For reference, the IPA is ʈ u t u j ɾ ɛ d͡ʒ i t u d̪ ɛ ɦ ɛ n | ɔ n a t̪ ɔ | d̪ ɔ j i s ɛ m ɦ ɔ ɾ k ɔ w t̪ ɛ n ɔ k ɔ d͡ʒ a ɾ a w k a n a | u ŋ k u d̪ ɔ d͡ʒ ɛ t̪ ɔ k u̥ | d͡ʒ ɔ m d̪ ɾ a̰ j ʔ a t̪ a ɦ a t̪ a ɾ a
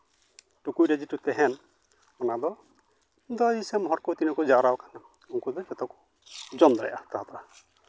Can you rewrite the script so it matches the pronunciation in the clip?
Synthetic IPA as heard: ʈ u k u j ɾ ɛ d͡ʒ i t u t̪ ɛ ɦ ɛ n | ɔ n a d̪ ɔ | d̪ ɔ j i s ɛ m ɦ ɔ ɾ k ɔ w t̪ i n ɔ k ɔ d͡ʒ a ɾ a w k a n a | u ŋ k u d̪ ɔ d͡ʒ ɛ t̪ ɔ k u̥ | d͡ʒ ɔ m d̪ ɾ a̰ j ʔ a t̪ a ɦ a t̪ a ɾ a